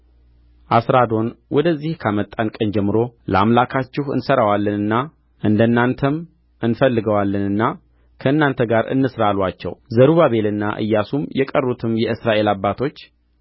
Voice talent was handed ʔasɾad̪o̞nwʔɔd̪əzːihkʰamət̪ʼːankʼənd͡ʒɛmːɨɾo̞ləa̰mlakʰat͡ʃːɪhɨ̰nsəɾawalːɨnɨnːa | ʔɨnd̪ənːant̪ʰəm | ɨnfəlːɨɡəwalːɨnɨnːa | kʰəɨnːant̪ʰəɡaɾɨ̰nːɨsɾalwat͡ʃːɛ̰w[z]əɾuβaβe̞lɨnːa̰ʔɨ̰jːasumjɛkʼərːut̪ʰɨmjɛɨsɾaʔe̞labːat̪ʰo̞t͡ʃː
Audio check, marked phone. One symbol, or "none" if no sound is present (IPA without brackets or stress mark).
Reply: z